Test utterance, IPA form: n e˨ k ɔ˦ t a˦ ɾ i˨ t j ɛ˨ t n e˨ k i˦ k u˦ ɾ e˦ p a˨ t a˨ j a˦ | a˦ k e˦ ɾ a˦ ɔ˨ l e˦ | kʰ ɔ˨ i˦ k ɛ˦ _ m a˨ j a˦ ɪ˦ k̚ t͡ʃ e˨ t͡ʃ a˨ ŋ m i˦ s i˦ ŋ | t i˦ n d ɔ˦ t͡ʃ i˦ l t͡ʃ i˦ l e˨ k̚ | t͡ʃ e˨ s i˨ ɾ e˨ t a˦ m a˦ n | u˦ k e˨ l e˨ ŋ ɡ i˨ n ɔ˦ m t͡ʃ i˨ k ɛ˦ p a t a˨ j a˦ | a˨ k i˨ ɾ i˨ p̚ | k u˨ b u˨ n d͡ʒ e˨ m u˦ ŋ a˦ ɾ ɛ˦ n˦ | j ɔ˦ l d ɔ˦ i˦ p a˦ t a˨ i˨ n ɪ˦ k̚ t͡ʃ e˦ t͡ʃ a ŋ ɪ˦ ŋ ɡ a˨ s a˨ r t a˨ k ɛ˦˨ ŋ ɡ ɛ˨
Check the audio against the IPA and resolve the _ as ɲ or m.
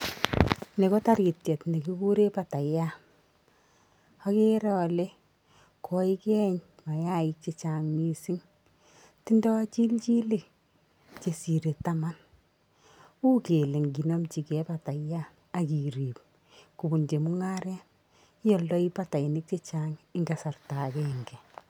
ɲ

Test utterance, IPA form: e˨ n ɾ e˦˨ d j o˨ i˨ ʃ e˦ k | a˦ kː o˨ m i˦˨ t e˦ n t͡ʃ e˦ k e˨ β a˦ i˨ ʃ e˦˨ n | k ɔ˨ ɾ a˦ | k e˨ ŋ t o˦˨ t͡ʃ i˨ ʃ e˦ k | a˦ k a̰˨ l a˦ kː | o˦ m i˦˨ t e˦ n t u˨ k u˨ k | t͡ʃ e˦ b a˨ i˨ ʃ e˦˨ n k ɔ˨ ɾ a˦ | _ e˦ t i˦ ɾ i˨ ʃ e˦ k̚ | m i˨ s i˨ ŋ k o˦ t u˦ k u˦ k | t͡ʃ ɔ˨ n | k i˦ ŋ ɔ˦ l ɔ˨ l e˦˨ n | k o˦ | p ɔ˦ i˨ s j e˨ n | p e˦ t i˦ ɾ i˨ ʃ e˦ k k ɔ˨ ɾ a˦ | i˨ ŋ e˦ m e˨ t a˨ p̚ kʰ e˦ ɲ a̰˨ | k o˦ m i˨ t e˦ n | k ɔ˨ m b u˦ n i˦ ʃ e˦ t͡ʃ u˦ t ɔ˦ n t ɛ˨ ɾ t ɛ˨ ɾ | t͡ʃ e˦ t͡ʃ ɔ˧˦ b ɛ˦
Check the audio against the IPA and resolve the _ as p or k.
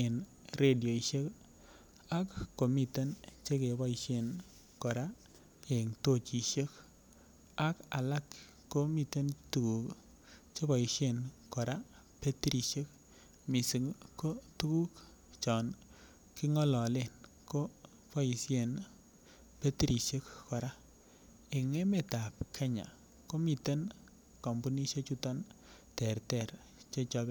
p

